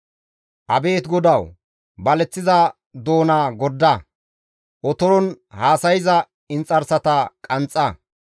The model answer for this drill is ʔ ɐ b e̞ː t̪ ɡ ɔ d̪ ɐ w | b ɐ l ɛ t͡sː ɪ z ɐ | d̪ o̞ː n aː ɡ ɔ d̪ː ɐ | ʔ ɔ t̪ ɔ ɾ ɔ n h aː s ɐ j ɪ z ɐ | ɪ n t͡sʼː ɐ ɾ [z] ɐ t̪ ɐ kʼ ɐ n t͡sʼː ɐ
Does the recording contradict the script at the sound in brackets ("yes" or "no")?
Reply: yes